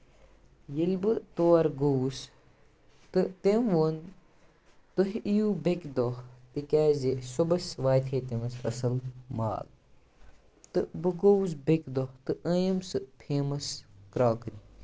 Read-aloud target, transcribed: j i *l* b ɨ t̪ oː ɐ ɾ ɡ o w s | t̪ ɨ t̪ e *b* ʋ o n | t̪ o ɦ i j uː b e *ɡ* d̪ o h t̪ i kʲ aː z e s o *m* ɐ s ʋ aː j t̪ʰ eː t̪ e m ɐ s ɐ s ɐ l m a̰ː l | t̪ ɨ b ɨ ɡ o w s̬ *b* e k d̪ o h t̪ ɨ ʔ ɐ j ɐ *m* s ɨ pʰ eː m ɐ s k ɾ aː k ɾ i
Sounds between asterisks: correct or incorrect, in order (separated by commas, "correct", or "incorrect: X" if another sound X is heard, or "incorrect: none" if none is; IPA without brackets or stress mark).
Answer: correct, incorrect: m, incorrect: k, incorrect: b, correct, correct